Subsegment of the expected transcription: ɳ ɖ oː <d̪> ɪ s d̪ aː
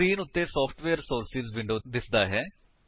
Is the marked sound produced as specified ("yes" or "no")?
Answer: yes